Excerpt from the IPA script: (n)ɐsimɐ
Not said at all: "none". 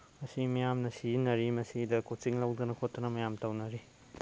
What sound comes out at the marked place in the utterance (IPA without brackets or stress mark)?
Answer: m